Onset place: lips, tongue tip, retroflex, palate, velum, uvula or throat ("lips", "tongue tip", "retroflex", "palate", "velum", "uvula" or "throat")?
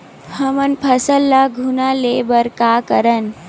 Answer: throat